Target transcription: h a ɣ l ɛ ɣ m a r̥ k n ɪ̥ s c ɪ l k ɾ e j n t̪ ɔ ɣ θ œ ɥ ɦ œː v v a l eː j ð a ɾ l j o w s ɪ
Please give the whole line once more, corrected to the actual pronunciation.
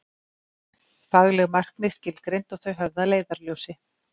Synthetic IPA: f a ɣ l ɛ ɣ m a r̥ k n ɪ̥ s c ɪ l k ɾ e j n t̪ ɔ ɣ θ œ ɥ ɦ œ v ð a l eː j ð a ɾ l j o w s ɪ